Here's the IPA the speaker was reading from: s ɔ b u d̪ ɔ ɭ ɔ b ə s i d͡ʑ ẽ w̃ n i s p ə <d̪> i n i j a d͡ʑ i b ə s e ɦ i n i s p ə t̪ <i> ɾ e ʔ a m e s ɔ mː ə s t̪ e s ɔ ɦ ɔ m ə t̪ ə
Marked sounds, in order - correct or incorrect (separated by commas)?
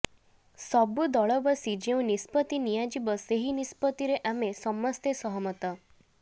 incorrect, correct